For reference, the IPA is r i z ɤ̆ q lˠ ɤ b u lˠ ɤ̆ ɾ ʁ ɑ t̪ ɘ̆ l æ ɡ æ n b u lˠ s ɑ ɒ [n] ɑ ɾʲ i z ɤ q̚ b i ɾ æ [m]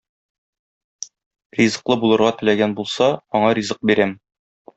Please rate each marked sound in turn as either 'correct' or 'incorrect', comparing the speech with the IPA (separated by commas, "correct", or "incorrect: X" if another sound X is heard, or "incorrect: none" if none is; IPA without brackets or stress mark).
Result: incorrect: ɴ, correct